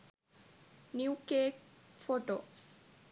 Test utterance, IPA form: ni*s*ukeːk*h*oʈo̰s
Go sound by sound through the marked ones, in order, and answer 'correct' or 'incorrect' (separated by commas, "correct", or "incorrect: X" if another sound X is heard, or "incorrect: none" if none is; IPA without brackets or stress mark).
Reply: incorrect: none, incorrect: f